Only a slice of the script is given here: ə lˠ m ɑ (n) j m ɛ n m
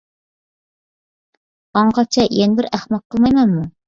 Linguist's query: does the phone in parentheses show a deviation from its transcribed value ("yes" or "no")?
yes